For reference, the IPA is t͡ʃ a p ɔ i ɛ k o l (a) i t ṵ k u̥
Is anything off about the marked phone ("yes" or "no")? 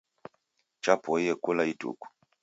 no